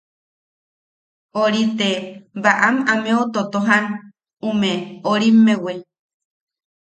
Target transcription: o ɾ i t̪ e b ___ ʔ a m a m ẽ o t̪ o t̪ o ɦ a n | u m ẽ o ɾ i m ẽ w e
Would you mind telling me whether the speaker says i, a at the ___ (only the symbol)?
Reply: a